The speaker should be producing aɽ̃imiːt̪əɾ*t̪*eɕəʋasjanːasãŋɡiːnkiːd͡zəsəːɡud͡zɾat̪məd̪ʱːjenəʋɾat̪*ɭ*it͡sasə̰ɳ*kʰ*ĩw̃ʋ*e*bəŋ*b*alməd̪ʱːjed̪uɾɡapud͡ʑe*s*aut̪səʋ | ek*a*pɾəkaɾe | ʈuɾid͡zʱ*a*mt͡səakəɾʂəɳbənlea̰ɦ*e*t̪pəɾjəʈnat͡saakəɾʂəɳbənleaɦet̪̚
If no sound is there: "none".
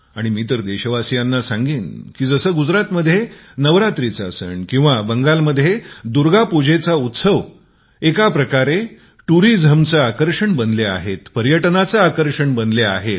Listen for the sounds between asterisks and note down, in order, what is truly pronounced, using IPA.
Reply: d̪, ɾ, k, a, ɡ, t͡s, a, ə, e

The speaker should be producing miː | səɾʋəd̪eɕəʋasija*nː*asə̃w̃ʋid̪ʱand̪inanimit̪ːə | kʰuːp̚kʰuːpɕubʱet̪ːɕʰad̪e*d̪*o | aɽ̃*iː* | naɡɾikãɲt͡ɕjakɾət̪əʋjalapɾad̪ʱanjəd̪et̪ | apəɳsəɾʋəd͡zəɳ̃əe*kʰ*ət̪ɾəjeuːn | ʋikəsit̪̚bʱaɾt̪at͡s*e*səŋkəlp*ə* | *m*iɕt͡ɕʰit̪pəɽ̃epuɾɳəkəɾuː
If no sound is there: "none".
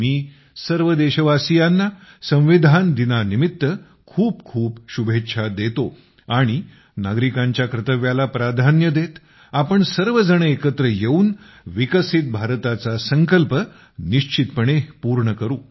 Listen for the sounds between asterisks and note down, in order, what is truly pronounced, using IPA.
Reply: nː, t̪, i, k, a, ə, n

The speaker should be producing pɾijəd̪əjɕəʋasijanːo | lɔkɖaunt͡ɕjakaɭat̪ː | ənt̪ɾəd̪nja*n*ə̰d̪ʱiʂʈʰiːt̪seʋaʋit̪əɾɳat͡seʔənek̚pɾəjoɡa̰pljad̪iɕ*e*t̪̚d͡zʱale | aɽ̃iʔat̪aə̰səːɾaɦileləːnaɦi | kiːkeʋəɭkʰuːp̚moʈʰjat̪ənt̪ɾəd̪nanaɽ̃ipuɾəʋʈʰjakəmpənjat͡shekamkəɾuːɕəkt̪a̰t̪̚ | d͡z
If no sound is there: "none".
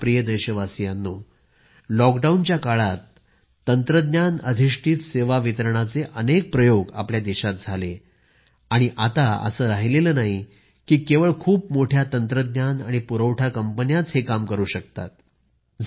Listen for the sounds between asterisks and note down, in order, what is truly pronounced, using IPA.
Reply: n, a

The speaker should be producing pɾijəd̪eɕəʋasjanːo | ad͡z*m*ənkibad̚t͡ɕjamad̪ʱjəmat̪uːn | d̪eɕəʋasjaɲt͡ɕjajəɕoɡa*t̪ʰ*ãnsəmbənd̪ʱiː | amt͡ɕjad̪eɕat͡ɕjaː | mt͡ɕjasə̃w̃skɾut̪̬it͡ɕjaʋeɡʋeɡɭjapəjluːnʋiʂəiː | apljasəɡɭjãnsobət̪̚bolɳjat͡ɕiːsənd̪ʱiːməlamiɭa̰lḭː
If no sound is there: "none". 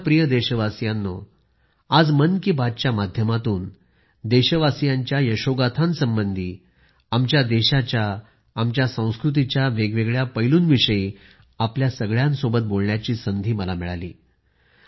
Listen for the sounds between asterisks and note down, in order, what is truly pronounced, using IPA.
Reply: m, t̪ʰ

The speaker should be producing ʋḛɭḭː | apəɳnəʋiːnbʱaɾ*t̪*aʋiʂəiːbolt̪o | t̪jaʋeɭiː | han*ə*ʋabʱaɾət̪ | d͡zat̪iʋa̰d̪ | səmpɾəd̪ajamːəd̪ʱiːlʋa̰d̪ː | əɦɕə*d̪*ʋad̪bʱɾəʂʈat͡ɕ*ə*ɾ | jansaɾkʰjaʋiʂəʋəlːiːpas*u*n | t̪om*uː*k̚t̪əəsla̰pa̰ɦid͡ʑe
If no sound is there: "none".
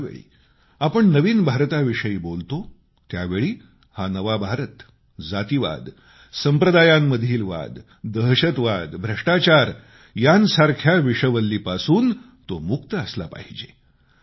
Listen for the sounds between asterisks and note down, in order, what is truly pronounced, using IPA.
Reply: t̪, ə, t̪, a, uː, u

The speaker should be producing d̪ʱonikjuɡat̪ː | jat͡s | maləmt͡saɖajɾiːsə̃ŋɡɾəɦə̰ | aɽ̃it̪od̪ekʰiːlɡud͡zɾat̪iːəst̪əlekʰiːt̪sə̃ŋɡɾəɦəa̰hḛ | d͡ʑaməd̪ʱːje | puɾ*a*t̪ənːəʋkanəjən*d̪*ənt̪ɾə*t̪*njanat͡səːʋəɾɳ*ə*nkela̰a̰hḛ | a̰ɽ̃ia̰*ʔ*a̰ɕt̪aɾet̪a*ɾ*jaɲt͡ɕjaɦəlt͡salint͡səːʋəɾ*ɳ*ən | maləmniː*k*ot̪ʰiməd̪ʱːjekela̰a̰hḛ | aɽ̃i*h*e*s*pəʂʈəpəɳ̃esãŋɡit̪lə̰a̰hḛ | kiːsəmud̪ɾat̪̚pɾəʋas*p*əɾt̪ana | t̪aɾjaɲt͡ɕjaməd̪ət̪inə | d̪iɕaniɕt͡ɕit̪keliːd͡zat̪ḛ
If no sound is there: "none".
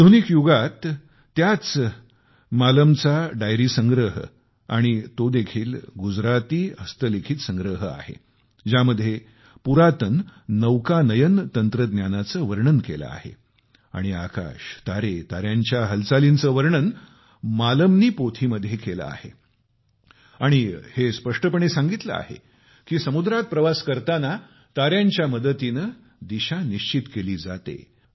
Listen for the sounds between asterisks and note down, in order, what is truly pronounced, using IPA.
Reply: a, t̪, d̪, ə, k, ɾ, ɳ, p, h, s, k

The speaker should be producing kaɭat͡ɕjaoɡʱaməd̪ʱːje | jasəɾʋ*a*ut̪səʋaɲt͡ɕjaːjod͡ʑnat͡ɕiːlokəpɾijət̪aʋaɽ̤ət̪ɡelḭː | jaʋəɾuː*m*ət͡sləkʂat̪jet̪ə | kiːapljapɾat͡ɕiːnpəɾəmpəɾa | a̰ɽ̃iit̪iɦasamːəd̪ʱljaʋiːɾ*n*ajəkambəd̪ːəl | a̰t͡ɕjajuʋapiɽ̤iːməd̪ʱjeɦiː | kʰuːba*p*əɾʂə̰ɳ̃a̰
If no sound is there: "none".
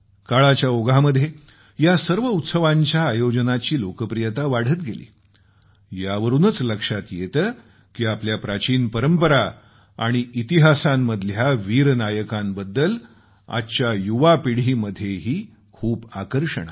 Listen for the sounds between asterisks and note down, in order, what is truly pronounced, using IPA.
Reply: ə, n, n, k

